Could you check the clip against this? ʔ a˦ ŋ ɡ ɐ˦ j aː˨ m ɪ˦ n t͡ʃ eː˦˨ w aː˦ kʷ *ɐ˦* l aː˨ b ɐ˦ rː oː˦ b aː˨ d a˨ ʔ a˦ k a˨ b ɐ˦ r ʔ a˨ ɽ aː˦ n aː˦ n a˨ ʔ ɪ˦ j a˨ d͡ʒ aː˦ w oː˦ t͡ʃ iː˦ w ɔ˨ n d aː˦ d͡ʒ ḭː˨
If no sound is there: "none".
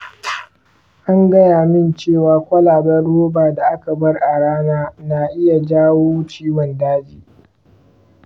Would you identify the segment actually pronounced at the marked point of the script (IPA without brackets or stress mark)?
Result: ɐ˦